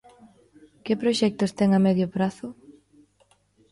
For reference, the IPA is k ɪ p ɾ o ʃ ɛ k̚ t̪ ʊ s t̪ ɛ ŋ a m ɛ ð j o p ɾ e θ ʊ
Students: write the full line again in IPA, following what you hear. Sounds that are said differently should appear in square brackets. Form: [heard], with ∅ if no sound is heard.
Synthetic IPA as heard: k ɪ p ɾ o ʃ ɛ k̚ t̪ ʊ s t̪ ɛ ŋ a m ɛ ð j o p ɾ [a] θ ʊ